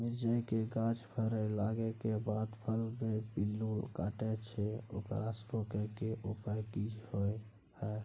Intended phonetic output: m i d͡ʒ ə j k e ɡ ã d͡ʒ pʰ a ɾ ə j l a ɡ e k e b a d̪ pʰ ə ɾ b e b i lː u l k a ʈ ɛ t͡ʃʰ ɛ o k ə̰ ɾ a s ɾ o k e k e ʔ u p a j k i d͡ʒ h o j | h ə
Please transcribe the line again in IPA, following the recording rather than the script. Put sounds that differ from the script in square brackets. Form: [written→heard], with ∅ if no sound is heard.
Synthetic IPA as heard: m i d͡ʒ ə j k e ɡ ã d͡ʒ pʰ [a→ə] ɾ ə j l a ɡ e k e b a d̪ pʰ ə [ɾ→l] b e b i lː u l k a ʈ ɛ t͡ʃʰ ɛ o k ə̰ ɾ a s ɾ o k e k e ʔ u p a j k i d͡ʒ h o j | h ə